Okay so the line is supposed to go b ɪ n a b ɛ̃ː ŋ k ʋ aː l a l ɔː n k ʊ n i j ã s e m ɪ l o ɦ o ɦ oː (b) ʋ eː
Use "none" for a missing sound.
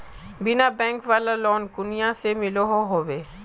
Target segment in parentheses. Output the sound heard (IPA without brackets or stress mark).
none